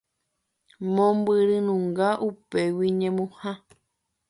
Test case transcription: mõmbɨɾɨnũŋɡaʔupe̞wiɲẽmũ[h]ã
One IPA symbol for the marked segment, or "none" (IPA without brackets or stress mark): h